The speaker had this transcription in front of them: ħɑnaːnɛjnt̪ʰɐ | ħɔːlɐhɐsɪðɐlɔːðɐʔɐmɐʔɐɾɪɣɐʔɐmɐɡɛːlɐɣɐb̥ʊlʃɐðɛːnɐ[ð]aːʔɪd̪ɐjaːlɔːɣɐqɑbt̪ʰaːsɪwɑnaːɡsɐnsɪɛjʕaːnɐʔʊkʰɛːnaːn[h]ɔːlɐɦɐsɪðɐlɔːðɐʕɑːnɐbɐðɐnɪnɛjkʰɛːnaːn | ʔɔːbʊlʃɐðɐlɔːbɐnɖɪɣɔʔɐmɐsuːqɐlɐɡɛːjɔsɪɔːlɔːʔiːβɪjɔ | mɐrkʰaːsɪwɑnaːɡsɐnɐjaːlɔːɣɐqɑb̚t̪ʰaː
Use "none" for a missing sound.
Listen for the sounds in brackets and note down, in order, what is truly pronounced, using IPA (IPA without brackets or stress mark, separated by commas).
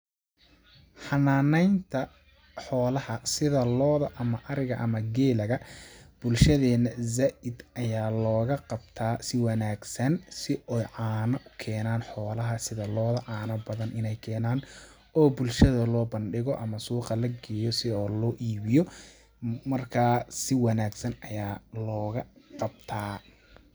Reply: z, ħ